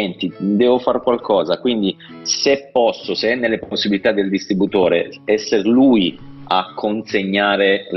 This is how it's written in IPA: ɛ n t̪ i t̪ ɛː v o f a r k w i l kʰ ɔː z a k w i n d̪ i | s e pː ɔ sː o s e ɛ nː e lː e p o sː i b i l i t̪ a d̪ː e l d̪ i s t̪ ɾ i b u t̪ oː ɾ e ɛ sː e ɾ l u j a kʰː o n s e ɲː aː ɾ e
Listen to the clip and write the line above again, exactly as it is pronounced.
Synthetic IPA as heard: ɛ n t̪ i d̪ ɛː v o f a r k w a l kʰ ɔː z a k w i n d̪ i | s e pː ɔ sː o s e ɛ nː e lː e p o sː i b i l i t̪ a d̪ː e l d̪ i s t̪ ɾ i b u t̪ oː ɾ e ɛ sː e ɾ l u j a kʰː o n s e ɲː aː ɾ e